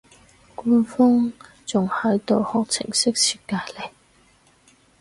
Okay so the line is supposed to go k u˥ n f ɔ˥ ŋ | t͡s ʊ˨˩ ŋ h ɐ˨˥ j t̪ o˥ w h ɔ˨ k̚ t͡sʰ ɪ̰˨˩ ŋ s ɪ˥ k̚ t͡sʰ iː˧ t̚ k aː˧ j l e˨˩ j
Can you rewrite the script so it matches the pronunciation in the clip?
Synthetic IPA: k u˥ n f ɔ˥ ŋ | t͡s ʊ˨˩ ŋ h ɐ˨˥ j t̪ o˨ w h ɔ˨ k̚ t͡sʰ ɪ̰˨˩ ŋ s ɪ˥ k̚ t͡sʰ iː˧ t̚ k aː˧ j l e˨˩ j